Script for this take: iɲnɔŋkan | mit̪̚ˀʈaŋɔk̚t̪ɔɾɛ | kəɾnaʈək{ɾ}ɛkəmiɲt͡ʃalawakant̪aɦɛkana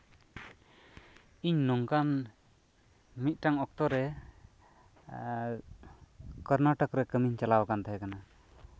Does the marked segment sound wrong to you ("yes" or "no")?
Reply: no